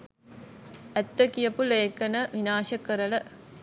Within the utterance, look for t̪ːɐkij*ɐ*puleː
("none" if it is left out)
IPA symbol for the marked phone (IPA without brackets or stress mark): ɐ